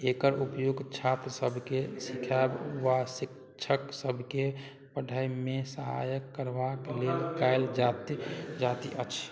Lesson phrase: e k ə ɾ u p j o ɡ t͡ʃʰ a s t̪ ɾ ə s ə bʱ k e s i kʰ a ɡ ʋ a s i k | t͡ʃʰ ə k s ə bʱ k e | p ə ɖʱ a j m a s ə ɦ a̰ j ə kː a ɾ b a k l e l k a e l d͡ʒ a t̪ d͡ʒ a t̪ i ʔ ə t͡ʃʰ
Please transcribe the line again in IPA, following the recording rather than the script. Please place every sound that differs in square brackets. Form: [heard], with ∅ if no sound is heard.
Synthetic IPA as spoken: e k ə ɾ u p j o ɡ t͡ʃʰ a [∅] t̪ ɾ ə s ə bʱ k e s i kʰ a [b] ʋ a s i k | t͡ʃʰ ə k s ə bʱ k e | p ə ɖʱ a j m [e] s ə ɦ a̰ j ə kː [ə] ɾ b a k l e l k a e l d͡ʒ a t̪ d͡ʒ a t̪ i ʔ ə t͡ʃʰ